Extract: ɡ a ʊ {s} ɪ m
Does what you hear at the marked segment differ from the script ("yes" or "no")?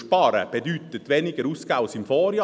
no